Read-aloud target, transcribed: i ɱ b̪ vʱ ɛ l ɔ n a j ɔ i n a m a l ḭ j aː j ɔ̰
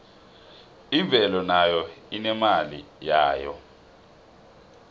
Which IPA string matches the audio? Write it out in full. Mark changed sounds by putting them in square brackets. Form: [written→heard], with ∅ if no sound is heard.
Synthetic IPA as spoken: i ɱ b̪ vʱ ɛ l ɔ n a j ɔ i n [a→ɛ] m a l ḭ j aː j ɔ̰